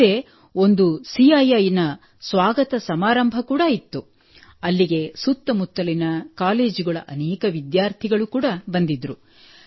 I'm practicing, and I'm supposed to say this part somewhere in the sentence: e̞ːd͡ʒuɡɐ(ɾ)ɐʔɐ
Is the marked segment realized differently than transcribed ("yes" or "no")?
yes